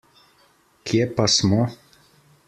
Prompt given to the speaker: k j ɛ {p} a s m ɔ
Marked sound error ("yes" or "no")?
no